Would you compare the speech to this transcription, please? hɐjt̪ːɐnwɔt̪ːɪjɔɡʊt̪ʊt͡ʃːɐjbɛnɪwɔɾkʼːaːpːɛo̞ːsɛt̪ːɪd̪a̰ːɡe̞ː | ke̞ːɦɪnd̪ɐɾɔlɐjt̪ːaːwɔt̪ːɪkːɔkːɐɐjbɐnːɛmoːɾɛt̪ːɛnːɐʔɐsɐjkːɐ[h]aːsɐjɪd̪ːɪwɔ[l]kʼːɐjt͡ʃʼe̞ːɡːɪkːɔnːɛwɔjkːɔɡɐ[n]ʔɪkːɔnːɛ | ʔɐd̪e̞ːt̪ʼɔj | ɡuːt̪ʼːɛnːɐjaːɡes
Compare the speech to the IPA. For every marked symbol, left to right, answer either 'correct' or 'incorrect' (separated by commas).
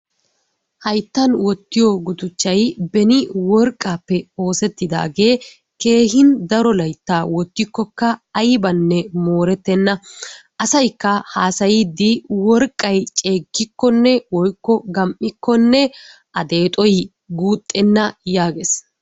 correct, incorrect, incorrect